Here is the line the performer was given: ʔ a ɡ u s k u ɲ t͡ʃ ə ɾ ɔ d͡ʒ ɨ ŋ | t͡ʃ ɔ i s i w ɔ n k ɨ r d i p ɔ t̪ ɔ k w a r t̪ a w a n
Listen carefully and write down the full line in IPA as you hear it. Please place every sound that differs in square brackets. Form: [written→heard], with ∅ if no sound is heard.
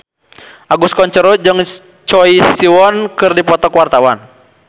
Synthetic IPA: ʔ a ɡ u s k [u→ɔ] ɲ t͡ʃ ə ɾ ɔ d͡ʒ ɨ ŋ | t͡ʃ ɔ i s i w ɔ n k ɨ r d i p ɔ t̪ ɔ k w a r t̪ a w a n